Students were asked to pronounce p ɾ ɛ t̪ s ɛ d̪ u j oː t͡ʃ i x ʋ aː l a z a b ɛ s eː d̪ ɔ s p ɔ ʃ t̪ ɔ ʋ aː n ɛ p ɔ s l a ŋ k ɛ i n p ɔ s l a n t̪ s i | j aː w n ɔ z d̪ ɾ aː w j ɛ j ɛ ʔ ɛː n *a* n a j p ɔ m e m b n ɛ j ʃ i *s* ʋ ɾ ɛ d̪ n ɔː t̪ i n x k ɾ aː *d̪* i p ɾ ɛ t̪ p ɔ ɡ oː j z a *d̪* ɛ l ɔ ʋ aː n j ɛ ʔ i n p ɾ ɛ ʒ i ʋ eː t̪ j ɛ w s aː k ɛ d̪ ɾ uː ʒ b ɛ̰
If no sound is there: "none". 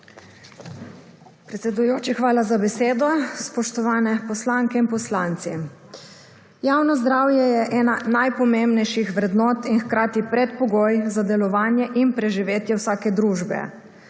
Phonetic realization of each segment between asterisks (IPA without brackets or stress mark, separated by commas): a, x, t̪, d̪